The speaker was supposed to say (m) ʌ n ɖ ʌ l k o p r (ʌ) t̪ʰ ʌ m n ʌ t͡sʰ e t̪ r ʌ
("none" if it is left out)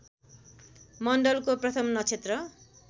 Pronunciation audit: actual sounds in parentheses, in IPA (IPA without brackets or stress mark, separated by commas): m, ʌ